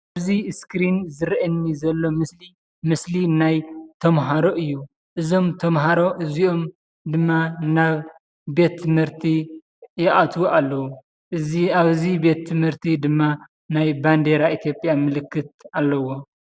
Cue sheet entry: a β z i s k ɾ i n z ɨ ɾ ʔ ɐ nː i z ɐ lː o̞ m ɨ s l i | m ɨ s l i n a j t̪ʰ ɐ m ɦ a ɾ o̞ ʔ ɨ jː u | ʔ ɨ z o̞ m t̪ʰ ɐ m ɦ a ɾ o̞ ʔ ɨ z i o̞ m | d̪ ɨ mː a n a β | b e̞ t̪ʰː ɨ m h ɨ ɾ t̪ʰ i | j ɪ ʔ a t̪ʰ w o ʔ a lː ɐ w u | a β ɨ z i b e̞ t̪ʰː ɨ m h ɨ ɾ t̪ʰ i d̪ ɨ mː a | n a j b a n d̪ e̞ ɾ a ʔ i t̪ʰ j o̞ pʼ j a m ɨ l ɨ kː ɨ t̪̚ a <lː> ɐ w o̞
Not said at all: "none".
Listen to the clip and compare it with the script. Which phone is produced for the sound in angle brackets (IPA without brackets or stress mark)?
lː